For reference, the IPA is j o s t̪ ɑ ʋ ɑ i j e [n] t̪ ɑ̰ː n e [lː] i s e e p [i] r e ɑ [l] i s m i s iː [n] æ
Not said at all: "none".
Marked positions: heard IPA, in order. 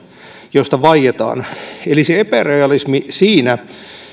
none, l, æ, l, n

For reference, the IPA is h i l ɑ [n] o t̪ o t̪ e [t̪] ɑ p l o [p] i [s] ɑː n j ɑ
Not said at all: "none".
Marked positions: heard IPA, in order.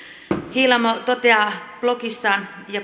m, none, k, sː

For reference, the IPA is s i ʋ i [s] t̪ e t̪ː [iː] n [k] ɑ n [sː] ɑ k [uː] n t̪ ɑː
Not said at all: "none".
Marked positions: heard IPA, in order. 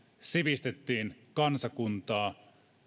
s, iː, k, s, u

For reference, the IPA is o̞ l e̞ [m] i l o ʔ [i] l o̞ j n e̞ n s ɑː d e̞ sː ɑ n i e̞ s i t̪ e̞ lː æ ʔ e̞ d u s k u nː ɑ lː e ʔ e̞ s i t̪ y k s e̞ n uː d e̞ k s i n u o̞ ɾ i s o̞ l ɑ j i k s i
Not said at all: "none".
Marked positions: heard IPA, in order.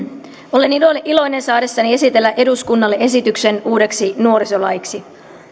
n, i

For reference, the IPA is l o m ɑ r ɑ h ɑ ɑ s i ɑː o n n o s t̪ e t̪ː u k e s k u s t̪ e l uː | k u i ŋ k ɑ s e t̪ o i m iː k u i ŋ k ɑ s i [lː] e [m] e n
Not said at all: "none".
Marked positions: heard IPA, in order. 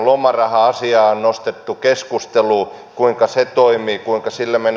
lː, m

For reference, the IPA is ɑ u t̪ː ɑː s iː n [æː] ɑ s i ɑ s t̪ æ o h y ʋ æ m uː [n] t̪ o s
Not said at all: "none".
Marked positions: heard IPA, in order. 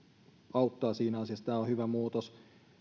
æ, none

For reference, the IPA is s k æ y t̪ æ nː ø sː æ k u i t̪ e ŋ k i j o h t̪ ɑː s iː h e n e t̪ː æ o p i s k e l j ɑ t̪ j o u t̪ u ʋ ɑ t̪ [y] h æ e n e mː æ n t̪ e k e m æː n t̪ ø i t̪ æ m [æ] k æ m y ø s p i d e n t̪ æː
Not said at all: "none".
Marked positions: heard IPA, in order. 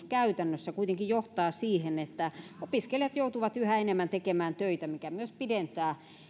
y, i

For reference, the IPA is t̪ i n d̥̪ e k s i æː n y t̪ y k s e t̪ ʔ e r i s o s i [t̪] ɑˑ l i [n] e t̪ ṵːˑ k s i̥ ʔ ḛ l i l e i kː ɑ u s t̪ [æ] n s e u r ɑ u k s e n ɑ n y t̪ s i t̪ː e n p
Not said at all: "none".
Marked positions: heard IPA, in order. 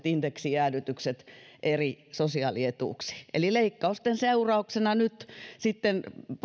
none, none, e

